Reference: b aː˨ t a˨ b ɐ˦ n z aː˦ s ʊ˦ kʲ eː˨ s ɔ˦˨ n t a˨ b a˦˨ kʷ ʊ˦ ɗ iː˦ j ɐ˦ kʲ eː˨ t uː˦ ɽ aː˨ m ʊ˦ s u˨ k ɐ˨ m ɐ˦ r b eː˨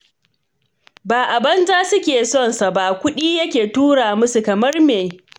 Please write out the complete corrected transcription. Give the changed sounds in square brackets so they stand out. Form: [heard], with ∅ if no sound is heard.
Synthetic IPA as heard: b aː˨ [ʔ] a˨ b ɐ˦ n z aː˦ s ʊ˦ kʲ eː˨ s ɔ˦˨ n [s] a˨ b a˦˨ kʷ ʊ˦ ɗ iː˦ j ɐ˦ kʲ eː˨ t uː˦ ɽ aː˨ m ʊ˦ s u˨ k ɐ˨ m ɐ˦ r [m] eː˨